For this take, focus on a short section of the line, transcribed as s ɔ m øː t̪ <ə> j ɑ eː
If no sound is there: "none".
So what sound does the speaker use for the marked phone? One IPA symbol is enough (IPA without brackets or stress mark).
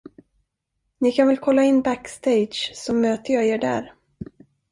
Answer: ə